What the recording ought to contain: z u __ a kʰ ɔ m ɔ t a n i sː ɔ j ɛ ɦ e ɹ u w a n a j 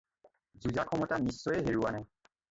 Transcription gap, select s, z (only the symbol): z